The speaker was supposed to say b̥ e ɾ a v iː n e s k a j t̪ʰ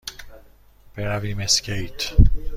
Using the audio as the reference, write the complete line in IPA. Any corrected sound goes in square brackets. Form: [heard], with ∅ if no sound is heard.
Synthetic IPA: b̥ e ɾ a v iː [m] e s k [e] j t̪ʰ